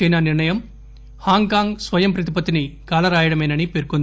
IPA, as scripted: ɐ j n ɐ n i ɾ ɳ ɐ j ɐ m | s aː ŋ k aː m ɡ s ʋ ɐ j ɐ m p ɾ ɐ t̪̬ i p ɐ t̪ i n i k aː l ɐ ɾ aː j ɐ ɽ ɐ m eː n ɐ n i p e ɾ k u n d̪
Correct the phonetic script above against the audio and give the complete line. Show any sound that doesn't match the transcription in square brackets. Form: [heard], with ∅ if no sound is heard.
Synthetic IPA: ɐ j n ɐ n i ɾ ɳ ɐ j ɐ m | [h] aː ŋ k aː [ŋ] ɡ s ʋ ɐ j ɐ m p ɾ ɐ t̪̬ i p ɐ t̪ i n i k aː l ɐ ɾ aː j ɐ ɽ ɐ m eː n ɐ n i p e ɾ k u n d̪